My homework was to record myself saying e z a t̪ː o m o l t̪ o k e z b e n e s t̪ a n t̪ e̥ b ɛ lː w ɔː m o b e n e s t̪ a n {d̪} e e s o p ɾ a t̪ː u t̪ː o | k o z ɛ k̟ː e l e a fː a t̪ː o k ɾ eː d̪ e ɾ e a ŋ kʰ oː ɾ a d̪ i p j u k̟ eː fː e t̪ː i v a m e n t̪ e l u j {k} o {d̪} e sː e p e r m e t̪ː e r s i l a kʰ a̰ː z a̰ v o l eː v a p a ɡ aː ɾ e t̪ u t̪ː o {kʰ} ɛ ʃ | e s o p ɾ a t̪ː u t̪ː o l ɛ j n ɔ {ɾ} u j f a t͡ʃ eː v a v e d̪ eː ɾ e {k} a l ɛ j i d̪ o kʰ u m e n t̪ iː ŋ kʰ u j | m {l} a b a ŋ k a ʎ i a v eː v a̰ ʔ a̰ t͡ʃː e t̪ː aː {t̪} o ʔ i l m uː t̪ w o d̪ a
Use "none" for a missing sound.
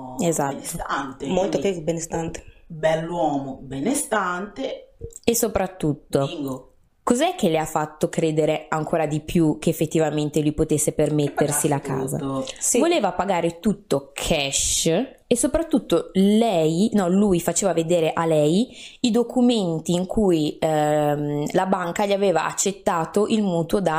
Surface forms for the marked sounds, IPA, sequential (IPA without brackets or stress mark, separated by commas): t̪, p, t̪, kʰ, l, ʔ, l, t̪